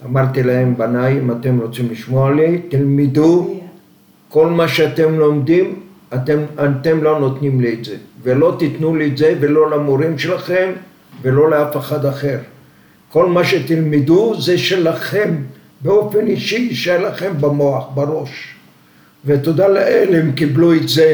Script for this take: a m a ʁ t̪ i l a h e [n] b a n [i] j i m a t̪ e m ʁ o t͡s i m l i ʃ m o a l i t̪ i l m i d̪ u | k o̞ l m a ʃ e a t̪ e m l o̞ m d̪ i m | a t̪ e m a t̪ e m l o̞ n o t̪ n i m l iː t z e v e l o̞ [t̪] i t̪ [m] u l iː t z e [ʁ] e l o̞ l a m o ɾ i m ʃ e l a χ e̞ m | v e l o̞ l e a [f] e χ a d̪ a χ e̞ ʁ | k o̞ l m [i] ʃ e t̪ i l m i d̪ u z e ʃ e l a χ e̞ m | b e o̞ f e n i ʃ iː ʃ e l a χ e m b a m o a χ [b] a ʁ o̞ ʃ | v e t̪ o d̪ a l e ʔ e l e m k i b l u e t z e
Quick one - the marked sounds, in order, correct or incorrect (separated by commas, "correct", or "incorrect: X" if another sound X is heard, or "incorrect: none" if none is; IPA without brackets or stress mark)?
incorrect: m, incorrect: a, correct, incorrect: n, incorrect: v, correct, incorrect: a, correct